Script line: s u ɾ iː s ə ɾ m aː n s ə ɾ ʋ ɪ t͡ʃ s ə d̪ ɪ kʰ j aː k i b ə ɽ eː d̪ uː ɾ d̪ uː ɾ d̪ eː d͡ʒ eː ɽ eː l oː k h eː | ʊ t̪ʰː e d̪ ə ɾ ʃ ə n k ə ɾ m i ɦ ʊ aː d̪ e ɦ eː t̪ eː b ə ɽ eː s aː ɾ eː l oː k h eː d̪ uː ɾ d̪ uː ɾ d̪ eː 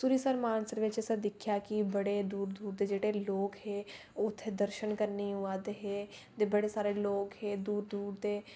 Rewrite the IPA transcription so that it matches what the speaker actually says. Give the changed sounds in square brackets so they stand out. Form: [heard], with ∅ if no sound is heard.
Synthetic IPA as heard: s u ɾ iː s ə ɾ m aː n s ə ɾ ʋ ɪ t͡ʃ s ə d̪ ɪ kʰ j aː k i b ə ɽ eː d̪ uː ɾ d̪ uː ɾ d̪ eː d͡ʒ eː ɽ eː l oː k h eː | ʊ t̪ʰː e d̪ ə ɾ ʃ ə n k ə ɾ [n] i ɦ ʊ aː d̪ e ɦ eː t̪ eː b ə ɽ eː s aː ɾ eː l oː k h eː d̪ uː ɾ d̪ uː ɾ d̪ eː